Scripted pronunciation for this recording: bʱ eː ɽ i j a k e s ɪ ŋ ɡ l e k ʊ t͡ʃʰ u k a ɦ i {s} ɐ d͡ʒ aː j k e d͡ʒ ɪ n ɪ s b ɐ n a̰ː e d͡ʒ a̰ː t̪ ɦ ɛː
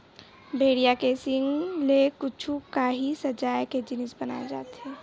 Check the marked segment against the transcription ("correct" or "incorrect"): correct